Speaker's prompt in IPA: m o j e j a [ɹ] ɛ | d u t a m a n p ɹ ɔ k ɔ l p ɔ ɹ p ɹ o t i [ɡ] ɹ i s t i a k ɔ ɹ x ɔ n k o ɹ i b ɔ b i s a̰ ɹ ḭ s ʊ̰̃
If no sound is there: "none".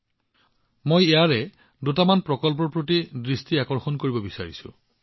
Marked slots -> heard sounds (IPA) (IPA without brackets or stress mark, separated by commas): ɹ, d